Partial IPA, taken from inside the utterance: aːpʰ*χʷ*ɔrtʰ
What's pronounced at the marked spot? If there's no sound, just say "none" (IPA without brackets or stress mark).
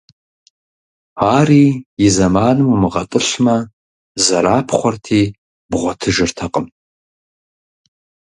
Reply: χʷ